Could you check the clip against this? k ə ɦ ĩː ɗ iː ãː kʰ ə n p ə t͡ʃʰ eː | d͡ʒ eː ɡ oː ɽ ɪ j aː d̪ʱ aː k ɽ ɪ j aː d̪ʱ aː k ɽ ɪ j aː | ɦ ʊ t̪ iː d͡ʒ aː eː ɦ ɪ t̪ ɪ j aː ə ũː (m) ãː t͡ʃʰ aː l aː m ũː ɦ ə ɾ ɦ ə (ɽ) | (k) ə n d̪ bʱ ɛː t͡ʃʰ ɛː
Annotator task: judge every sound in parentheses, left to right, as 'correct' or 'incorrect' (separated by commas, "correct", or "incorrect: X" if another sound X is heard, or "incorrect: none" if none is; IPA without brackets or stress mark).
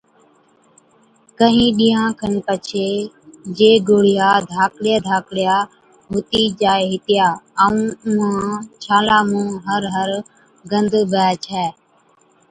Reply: correct, incorrect: ɾ, incorrect: ɡ